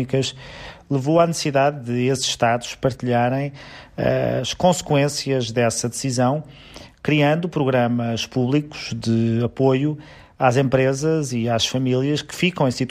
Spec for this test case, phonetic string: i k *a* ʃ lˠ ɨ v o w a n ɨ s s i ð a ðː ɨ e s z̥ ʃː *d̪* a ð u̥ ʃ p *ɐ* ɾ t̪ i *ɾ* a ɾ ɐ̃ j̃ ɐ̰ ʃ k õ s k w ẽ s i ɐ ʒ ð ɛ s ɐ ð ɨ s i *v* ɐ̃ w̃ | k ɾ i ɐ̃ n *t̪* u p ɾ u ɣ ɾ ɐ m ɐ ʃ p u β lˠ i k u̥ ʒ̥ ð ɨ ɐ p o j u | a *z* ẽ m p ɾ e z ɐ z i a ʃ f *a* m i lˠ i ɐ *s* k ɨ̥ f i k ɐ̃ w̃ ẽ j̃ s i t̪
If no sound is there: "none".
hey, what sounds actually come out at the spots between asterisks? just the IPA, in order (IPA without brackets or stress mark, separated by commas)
ɐ, t̪, ɐ, ʎ, z, d̪, z, ɐ, ʃ